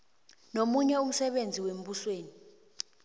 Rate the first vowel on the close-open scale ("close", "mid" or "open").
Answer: mid